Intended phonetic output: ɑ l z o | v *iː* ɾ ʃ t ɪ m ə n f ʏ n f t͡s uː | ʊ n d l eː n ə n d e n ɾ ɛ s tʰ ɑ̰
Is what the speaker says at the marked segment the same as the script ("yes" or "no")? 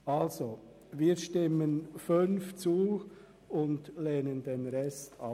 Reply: yes